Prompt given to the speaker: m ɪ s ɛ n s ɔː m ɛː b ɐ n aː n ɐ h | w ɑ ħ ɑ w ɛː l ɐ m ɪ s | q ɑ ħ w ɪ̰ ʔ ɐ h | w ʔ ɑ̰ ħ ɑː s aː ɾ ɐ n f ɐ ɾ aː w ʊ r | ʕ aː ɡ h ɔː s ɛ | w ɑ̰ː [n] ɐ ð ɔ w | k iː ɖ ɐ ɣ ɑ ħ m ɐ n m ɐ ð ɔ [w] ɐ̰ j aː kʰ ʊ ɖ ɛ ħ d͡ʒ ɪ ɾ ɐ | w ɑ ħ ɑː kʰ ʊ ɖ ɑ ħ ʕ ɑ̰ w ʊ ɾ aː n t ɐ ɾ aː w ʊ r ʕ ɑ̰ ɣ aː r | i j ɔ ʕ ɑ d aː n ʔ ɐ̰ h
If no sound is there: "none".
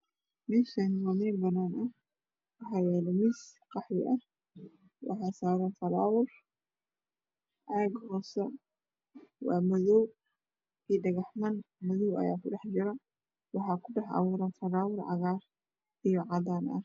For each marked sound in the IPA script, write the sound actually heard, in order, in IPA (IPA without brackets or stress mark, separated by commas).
m, w